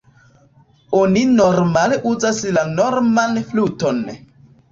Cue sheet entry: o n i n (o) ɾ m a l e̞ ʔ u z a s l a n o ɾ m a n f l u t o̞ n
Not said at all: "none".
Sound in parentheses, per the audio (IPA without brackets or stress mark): o